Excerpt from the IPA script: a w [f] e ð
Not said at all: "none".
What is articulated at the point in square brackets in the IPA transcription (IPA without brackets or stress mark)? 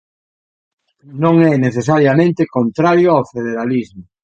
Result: f